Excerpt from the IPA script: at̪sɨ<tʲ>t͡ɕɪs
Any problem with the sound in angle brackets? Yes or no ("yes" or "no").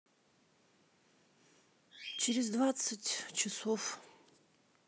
no